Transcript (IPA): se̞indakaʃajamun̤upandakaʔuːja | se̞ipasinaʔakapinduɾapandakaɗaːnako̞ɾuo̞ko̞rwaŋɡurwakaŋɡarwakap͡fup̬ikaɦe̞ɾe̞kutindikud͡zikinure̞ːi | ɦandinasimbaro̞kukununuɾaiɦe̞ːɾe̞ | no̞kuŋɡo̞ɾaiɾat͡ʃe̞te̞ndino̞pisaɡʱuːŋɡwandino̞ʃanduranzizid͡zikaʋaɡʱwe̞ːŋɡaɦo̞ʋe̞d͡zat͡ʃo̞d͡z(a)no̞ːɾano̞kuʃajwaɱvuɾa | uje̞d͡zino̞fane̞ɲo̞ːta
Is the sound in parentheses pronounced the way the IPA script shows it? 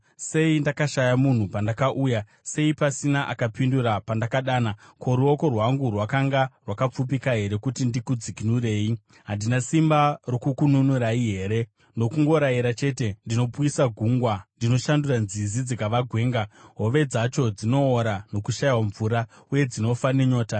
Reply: no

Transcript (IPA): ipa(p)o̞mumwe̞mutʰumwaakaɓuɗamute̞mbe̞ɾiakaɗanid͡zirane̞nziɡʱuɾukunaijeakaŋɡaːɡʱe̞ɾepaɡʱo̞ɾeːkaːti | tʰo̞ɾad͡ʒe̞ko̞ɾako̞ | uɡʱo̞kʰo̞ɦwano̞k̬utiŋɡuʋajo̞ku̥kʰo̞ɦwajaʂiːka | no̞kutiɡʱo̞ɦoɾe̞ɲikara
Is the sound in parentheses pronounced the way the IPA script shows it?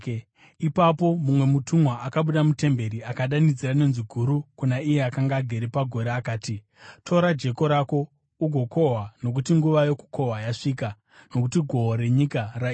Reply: yes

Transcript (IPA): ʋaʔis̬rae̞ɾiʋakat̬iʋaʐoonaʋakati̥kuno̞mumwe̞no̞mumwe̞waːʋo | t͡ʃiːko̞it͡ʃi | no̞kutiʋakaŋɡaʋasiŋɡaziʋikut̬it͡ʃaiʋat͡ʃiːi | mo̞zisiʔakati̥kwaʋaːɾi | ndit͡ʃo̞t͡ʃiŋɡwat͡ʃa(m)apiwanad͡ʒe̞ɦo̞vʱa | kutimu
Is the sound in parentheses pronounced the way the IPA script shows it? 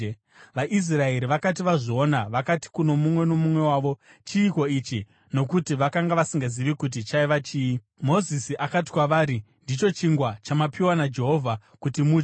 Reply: yes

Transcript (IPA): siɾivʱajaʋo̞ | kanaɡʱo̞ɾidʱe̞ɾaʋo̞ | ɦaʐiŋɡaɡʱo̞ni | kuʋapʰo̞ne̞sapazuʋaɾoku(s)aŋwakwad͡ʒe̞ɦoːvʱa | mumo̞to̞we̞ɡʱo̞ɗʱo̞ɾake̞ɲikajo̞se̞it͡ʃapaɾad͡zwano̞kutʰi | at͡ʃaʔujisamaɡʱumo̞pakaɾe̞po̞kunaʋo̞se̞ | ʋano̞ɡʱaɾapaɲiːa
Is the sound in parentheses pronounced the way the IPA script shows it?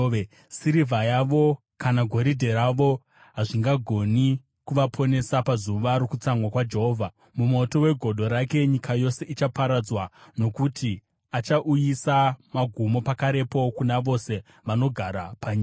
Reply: no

